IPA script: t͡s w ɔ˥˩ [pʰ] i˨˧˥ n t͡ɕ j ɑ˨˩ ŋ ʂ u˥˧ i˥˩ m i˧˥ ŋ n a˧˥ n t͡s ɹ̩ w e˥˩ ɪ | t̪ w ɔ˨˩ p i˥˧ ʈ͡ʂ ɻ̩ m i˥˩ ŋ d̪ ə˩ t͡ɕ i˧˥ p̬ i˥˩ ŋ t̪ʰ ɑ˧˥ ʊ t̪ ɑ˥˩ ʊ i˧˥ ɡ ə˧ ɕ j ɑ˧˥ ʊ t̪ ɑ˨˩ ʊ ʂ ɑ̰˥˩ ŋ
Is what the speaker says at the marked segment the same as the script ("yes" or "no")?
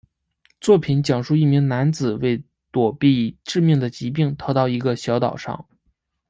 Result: yes